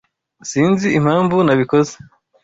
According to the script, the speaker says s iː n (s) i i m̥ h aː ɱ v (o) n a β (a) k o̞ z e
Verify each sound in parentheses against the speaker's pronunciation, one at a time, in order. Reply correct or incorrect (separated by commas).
incorrect, incorrect, incorrect